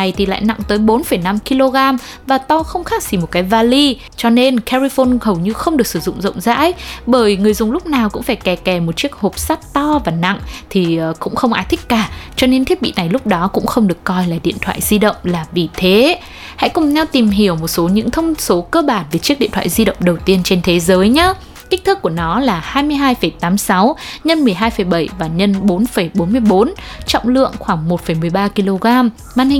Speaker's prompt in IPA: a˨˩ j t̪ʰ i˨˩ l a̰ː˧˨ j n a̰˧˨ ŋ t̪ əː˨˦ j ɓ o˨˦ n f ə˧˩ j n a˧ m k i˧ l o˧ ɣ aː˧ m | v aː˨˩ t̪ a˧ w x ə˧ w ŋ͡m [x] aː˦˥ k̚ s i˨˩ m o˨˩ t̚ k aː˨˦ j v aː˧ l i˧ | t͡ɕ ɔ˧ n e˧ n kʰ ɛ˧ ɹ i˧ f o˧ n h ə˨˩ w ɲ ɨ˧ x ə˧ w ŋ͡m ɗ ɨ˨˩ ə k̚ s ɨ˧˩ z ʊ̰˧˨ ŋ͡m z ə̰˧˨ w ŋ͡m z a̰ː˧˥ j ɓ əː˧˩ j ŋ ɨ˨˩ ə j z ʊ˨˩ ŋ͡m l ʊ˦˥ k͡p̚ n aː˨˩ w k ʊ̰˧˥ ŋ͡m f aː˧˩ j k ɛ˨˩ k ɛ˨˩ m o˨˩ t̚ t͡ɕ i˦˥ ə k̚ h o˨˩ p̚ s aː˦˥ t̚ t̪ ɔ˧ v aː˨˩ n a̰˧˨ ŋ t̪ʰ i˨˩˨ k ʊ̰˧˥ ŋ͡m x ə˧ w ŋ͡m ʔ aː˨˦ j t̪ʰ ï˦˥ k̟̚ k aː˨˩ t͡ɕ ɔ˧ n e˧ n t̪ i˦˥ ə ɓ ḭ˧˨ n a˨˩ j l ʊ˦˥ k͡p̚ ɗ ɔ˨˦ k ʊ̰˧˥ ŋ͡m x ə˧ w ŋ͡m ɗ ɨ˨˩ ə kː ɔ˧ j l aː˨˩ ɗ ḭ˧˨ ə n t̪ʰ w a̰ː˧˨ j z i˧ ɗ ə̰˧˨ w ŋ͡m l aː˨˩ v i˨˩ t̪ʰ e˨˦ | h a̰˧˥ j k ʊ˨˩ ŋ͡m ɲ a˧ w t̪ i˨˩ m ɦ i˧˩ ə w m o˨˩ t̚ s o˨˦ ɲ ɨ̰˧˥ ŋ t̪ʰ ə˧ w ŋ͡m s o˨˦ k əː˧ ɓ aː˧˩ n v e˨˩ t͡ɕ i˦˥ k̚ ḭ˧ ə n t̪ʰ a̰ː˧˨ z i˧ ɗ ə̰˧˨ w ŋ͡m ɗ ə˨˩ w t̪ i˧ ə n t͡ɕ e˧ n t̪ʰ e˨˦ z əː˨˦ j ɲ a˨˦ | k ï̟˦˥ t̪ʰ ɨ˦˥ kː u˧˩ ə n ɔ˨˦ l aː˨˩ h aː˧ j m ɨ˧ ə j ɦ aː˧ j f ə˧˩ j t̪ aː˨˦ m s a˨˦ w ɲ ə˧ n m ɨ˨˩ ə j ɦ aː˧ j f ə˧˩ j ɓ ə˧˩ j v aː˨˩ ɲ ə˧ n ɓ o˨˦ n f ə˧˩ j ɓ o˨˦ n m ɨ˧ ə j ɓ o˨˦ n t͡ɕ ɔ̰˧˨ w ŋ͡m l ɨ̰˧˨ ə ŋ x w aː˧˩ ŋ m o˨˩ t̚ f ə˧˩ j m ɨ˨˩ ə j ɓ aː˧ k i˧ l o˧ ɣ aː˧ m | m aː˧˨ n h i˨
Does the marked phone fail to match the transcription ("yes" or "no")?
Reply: no